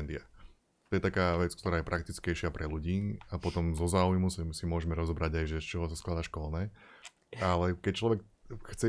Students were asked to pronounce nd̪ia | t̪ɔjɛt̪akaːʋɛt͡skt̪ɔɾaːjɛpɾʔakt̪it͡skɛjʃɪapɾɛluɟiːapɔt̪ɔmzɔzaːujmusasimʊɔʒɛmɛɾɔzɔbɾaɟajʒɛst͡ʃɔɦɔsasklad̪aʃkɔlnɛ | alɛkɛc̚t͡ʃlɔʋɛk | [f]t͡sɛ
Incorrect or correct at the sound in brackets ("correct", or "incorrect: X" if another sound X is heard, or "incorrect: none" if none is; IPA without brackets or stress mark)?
incorrect: x